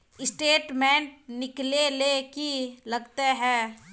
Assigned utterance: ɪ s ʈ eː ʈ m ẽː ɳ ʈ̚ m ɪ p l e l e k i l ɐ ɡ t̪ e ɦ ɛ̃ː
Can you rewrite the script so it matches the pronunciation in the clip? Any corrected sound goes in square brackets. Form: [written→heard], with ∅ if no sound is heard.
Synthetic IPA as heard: ɪ s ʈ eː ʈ m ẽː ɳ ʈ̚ [m→n] ɪ [p→k] l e l e k i l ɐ ɡ t̪ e ɦ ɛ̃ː